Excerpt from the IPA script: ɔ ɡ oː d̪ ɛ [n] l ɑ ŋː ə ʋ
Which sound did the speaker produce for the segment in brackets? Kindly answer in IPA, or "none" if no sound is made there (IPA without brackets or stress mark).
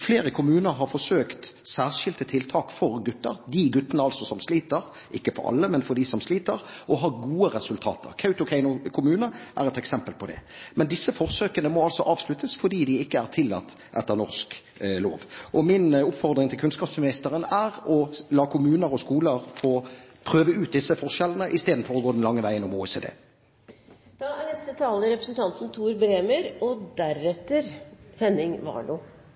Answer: n